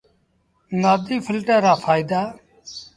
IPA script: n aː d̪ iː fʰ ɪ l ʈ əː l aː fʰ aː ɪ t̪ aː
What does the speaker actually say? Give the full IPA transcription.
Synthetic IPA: n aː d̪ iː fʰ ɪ l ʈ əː ɾ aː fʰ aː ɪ d̪ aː